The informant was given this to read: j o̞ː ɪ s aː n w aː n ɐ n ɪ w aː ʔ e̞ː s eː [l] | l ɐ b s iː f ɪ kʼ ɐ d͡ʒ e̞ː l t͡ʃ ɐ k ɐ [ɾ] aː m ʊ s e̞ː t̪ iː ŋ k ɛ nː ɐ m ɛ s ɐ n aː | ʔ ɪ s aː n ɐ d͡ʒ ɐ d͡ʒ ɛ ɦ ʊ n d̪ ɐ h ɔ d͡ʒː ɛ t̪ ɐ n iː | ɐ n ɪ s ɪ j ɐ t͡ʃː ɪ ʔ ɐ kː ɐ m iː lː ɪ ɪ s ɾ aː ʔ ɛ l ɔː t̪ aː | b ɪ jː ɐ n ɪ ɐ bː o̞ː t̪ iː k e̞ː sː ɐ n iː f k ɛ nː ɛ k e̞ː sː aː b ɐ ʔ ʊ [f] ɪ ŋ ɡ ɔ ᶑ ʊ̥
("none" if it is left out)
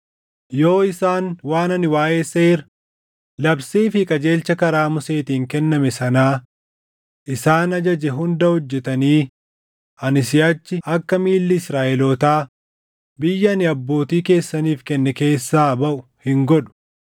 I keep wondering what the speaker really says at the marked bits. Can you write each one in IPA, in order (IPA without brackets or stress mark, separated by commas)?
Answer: ɾ, ɾ, h